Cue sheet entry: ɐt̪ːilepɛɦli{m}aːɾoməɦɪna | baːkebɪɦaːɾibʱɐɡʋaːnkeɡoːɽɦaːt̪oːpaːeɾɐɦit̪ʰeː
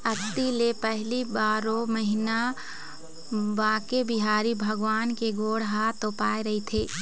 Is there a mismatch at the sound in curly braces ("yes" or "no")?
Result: yes